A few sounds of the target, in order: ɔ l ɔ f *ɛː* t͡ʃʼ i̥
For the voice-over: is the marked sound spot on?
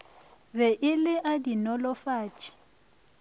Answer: no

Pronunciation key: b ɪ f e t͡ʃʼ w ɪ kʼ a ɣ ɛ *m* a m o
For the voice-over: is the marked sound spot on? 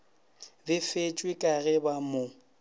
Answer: no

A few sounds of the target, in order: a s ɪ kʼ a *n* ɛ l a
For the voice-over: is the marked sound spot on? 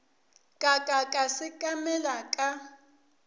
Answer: no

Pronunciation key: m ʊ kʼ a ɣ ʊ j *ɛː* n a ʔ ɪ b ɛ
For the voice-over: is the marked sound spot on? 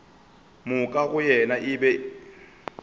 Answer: no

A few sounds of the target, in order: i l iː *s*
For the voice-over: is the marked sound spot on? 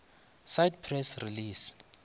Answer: yes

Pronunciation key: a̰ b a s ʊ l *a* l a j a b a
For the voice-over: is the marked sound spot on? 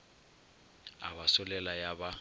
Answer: no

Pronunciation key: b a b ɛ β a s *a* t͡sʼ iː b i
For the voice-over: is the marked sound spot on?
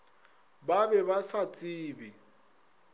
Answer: yes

